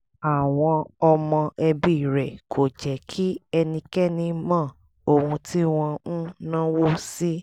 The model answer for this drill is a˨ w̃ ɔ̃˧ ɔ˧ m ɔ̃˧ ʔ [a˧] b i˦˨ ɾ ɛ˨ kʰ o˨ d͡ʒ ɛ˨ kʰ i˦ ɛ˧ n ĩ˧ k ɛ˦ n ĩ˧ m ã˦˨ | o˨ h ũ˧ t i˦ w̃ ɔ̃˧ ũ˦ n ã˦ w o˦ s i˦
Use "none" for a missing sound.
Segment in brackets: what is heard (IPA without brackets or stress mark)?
ɛ˧